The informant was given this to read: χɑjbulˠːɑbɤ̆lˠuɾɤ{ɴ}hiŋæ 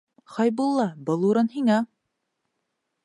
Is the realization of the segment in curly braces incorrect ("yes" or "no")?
yes